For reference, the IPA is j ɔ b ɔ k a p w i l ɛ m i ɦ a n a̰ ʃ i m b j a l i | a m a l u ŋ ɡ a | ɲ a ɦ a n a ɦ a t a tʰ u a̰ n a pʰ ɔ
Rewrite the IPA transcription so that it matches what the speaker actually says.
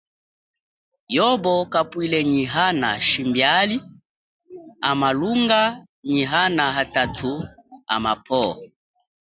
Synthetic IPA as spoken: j ɔ b ɔ k a p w i l ɛ ɲ i ɦ a n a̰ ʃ i m b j a l i | a m a l u ŋ ɡ a | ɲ i ɦ a n a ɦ a t a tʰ u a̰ m a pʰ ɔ